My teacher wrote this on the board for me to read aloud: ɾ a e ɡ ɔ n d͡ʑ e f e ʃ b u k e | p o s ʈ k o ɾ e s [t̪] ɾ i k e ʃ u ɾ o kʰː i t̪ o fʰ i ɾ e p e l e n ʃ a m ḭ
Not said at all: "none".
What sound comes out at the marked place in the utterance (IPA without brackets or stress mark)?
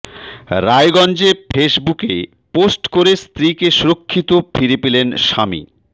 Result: t̪